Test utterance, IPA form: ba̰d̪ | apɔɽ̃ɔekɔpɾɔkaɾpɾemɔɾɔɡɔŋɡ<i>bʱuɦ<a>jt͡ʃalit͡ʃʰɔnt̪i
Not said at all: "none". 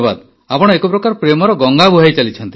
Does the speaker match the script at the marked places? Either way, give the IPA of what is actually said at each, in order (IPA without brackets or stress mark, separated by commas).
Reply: a, a